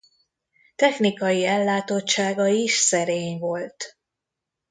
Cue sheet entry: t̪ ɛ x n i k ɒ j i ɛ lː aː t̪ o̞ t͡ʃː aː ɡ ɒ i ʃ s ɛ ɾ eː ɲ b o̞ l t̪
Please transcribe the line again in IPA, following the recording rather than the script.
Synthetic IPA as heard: t̪ ɛ x n i k ɒ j i ɛ lː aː t̪ o̞ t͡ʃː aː ɡ ɒ i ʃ s ɛ ɾ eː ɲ v o̞ l t̪